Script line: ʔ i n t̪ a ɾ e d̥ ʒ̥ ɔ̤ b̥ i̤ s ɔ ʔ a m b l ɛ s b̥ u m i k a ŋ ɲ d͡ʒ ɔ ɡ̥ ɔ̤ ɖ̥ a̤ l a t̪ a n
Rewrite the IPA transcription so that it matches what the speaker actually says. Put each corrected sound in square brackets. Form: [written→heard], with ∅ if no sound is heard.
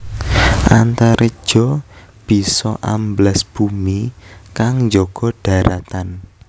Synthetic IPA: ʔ [i→a] n t̪ a ɾ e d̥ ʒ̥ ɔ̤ b̥ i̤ s ɔ ʔ a m b l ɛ s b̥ u m i k a ŋ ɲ d͡ʒ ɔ ɡ̥ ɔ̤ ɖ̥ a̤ [l→ɾ] a t̪ a n